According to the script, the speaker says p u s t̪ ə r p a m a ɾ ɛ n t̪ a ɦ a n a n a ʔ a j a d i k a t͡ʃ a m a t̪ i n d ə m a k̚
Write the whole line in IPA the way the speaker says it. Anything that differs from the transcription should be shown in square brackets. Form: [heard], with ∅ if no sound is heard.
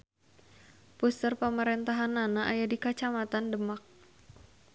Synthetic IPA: p u s t̪ ə r p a m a ɾ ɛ n t̪ a ɦ a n a n a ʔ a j a d i k a t͡ʃ a m a t̪ [a] n d ə m a k̚